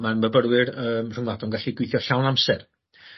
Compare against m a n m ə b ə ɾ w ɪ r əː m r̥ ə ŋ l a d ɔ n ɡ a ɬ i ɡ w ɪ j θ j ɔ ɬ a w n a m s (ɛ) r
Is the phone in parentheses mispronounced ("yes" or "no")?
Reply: no